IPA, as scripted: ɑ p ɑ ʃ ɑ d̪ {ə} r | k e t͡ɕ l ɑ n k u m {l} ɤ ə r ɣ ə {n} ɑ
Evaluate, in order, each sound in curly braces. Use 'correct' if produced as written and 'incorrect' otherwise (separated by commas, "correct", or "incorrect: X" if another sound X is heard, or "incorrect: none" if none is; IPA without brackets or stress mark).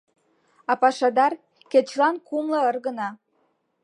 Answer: incorrect: ɑ, correct, correct